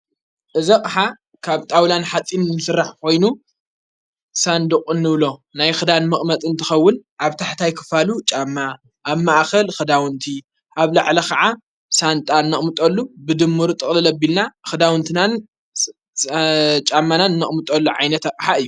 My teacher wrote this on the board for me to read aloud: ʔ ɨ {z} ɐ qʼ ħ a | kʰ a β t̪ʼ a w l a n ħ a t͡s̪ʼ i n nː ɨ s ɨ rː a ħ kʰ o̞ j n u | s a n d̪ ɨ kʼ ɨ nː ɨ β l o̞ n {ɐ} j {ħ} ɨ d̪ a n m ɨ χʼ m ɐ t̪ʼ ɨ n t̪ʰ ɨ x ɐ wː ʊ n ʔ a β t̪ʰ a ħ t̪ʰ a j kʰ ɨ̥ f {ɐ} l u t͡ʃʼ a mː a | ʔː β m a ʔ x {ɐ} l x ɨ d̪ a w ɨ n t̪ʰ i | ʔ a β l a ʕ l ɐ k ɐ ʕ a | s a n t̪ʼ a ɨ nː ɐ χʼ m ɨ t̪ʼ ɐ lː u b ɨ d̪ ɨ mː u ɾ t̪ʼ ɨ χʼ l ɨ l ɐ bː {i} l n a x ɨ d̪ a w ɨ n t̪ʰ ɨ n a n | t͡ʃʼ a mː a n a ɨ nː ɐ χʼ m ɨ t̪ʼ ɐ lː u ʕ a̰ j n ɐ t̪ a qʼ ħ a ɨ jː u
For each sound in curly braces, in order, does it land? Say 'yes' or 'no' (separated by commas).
yes, no, no, no, yes, yes